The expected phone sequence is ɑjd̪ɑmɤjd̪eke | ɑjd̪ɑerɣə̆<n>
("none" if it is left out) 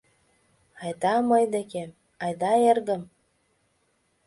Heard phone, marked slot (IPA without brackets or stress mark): m